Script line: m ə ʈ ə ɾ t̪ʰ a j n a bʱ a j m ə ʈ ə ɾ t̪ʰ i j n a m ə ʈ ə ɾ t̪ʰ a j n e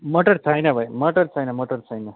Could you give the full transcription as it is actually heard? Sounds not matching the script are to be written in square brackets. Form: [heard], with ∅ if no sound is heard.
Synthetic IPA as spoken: m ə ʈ ə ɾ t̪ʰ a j n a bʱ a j m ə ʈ ə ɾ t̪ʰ [a] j n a m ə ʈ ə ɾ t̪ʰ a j n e